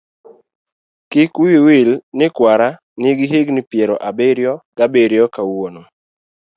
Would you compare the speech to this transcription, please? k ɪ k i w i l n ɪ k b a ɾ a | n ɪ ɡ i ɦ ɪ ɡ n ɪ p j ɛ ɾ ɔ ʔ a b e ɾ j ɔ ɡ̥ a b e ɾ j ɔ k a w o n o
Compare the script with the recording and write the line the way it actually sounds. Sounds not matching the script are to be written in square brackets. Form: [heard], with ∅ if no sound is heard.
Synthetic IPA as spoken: k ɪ k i w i l n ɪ k [w] a ɾ a | n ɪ ɡ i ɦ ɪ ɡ n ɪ p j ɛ ɾ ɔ ʔ a b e ɾ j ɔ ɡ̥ a b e ɾ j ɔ k a w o n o